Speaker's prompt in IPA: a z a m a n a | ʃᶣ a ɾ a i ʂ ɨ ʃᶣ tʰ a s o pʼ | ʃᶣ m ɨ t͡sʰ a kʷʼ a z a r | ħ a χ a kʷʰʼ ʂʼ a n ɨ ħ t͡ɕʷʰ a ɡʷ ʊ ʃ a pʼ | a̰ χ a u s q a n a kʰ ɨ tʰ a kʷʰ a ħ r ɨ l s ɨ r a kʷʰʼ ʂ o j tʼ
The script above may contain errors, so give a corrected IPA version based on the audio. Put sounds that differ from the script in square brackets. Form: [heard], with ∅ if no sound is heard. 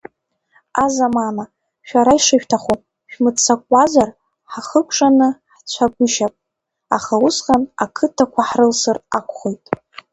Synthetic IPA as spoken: a z a m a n a | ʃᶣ a ɾ a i ʂ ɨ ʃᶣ tʰ a [χ] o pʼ | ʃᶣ m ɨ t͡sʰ a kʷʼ a z a r | ħ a χ [ə] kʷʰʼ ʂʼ a n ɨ ħ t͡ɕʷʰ a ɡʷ ʊ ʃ a pʼ | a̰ χ a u s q a n a kʰ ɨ tʰ a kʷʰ a ħ r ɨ l s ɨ r a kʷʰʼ [χ] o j tʼ